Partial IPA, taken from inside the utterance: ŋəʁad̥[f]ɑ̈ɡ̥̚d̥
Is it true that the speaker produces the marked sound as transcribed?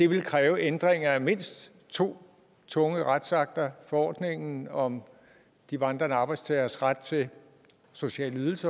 no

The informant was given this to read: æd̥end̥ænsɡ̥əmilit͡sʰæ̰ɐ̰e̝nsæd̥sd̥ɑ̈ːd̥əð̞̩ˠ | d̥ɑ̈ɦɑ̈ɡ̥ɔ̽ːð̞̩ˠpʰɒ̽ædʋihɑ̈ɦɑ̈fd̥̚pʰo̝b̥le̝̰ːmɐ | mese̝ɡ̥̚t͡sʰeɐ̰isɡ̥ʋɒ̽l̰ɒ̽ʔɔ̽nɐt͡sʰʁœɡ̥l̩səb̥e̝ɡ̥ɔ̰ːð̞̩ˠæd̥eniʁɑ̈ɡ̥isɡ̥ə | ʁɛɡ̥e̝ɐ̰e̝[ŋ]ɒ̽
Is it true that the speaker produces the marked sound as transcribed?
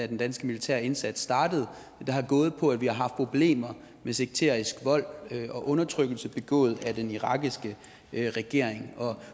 yes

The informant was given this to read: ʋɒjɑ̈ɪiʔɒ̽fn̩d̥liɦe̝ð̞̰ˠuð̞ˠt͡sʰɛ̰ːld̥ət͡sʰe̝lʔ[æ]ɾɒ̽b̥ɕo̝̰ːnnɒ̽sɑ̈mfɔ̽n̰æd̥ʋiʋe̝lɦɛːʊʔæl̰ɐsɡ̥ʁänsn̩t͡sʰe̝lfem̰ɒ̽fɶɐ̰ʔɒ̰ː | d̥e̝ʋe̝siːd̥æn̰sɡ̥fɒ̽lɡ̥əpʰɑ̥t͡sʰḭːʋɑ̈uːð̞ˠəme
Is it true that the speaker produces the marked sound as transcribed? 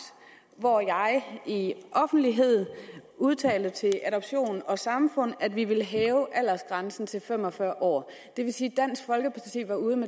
yes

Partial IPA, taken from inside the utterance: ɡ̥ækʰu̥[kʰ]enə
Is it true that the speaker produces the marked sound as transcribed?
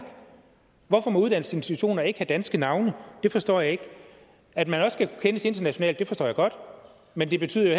yes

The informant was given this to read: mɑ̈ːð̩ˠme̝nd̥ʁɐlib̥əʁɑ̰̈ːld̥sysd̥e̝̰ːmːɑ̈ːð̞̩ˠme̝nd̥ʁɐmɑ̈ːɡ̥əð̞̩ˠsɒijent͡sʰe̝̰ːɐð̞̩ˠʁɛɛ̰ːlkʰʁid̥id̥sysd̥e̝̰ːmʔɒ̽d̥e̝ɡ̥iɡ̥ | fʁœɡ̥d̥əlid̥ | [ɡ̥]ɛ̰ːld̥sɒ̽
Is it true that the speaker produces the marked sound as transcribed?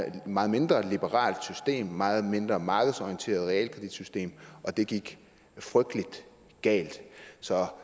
yes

